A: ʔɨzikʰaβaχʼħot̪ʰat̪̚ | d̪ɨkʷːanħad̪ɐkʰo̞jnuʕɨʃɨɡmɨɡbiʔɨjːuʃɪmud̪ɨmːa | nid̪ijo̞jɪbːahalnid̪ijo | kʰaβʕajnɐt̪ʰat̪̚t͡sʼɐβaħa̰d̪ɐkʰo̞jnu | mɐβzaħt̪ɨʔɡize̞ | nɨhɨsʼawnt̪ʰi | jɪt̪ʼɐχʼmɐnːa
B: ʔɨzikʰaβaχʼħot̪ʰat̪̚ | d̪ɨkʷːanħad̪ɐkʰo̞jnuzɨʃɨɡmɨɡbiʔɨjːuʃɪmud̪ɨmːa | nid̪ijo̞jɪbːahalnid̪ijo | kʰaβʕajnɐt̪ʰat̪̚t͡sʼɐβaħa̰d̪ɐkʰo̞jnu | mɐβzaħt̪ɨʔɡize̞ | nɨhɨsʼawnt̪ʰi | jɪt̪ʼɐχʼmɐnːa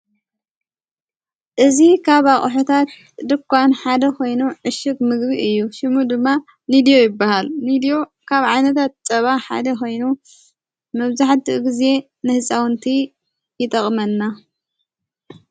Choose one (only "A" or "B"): A